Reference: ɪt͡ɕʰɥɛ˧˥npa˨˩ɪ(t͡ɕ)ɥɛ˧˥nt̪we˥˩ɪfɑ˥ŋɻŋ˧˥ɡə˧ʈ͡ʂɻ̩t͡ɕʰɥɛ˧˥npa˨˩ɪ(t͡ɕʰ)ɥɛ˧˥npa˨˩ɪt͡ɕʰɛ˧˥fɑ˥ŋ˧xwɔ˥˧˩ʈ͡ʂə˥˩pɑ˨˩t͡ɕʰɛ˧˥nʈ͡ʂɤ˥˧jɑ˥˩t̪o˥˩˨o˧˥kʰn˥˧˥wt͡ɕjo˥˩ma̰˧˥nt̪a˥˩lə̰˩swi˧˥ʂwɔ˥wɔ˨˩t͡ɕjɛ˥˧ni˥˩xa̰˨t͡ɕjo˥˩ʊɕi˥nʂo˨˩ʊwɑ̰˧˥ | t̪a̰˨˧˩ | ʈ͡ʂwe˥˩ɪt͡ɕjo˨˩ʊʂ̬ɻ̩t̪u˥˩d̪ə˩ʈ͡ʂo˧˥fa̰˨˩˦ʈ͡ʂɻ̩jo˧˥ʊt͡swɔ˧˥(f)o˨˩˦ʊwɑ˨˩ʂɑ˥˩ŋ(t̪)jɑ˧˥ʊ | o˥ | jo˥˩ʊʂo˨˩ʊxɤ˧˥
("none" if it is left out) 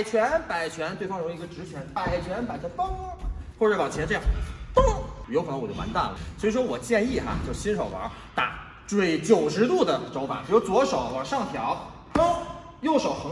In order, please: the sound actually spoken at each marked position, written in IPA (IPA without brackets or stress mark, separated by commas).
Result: t͡ɕʰ, t͡ɕʰ, ʂ, t̪ʰ